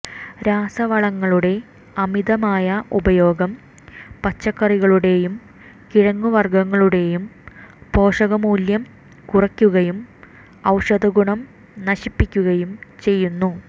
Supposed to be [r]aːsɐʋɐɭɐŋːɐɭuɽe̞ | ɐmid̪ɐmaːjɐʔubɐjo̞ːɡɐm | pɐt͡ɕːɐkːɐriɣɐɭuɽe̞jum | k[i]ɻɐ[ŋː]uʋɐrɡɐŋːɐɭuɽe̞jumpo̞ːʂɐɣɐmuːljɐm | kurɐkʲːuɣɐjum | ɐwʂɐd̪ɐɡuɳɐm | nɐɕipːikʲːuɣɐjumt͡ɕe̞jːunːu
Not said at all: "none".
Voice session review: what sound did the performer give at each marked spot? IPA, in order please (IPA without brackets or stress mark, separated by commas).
ɾ, i, ŋː